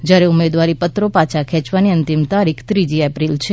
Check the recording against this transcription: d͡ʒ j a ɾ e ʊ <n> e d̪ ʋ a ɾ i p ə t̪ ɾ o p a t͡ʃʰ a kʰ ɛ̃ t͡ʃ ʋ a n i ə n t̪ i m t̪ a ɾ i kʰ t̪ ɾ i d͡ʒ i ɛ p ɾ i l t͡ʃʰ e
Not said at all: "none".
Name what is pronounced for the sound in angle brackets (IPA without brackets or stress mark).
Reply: m